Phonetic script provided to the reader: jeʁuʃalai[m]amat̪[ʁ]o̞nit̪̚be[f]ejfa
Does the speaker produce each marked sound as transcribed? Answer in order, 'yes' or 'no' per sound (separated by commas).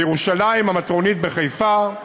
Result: yes, yes, no